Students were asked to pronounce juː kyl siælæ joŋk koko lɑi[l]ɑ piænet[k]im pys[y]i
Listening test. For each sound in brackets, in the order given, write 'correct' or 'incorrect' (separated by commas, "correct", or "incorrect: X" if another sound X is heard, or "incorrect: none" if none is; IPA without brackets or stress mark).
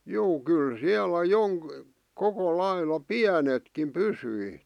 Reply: correct, correct, correct